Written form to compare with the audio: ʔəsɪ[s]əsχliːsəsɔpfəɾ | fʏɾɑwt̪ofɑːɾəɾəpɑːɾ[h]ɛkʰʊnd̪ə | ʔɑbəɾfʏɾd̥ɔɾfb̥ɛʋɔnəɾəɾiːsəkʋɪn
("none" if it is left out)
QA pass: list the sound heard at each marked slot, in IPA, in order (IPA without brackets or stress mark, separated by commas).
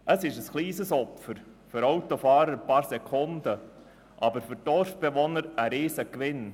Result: ʃ, s